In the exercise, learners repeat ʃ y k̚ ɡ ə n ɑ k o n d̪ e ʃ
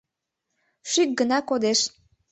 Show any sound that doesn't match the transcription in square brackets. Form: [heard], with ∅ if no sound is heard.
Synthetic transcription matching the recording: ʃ y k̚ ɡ ə n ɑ k o [∅] d̪ e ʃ